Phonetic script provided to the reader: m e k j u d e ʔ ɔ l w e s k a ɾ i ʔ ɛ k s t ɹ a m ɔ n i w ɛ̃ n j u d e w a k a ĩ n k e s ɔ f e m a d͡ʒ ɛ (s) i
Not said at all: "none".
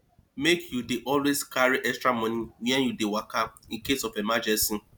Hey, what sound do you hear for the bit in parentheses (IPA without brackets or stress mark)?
s